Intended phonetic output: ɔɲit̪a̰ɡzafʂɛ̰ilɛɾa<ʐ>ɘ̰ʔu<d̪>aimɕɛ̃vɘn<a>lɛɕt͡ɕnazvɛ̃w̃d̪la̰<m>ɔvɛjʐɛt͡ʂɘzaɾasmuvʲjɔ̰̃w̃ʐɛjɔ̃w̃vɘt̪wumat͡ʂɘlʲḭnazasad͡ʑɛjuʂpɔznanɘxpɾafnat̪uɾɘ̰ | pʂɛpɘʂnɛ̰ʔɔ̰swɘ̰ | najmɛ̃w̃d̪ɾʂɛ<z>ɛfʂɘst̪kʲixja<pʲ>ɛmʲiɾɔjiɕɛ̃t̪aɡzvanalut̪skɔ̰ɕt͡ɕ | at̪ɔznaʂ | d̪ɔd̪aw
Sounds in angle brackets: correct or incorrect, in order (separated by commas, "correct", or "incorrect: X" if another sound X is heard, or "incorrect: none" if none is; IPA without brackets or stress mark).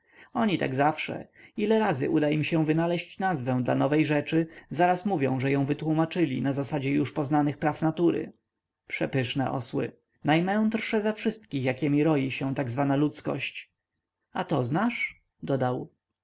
incorrect: z, correct, correct, incorrect: n, correct, incorrect: kʲ